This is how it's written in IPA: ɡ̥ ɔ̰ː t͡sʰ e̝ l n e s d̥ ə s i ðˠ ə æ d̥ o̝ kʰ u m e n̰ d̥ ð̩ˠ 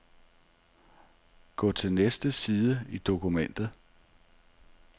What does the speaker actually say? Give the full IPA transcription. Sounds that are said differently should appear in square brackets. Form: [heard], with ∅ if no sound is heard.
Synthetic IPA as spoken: ɡ̥ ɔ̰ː t͡sʰ e̝ l n e s d̥ ə s [iː] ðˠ ə [i] d̥ o̝ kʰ u m e n̰ d̥ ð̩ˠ